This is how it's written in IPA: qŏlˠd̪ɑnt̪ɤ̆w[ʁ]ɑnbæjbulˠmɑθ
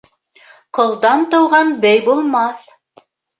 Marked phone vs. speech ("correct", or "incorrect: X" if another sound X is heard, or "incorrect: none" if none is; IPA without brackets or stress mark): correct